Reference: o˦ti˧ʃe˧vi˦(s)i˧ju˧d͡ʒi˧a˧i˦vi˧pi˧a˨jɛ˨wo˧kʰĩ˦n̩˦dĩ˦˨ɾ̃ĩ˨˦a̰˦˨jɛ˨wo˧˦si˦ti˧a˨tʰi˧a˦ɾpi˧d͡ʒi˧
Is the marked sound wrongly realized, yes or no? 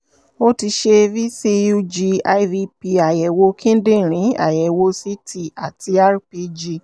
no